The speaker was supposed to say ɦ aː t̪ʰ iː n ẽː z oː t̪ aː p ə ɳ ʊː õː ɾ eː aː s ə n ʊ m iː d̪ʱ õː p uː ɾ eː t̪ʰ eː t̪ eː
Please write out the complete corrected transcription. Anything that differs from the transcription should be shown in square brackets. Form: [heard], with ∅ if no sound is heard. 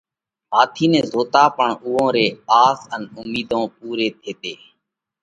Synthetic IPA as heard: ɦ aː t̪ʰ iː n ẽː z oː t̪ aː p ə ɳ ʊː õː ɾ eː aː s ə n ʊ m iː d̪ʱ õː p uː ɾ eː t̪ʰ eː t̪ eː